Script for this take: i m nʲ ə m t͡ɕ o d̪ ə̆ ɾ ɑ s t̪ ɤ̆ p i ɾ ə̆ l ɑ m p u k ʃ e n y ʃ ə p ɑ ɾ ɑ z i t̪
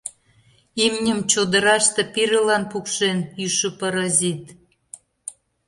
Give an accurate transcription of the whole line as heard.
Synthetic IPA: i m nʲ ə m t͡ɕ o d̪ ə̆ ɾ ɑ ʃ t̪ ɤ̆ p i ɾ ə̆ l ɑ n p u k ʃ e n y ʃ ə p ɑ ɾ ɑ z i t̪

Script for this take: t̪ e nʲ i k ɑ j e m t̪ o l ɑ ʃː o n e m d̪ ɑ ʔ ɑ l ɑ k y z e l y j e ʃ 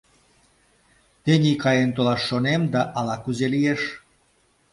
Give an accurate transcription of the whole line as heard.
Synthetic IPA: t̪ e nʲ i k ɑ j e n t̪ o l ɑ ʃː o n e m d̪ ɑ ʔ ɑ l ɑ k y z e l i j e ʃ

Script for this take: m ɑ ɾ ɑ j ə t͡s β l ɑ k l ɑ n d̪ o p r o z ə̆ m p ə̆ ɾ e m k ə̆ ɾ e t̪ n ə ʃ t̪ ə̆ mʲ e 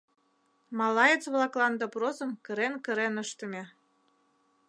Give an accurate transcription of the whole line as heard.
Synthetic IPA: m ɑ l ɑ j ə t͡s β l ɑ k l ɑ n d̪ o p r o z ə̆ m k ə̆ ɾ e n k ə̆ ɾ e n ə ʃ t̪ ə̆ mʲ e

